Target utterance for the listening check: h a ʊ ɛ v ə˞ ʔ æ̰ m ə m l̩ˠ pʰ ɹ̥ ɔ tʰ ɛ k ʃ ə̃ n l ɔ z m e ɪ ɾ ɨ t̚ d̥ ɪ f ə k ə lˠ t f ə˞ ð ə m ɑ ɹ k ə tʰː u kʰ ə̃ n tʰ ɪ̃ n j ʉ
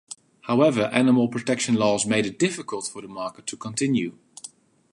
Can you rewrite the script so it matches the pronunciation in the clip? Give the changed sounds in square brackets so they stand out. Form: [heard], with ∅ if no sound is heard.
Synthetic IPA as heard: h a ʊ ɛ v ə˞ ʔ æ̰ [n] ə m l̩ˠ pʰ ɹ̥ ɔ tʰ ɛ k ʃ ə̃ n l ɔ z m e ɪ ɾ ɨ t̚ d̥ ɪ f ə k ə lˠ t f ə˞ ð ə m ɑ ɹ k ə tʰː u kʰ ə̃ n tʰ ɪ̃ n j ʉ